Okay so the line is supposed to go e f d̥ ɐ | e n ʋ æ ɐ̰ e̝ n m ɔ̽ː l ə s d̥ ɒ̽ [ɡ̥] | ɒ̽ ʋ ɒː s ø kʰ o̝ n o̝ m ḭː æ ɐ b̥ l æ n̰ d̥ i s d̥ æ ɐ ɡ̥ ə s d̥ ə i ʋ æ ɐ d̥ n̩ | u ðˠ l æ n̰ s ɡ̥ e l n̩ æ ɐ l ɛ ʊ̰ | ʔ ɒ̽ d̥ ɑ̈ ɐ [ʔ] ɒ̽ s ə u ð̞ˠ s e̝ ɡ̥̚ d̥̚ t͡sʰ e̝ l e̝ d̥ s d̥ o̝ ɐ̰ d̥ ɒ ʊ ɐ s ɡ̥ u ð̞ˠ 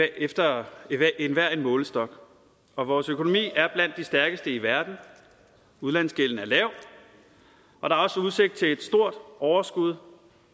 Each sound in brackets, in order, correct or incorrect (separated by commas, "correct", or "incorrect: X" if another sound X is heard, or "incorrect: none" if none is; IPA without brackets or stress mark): correct, incorrect: none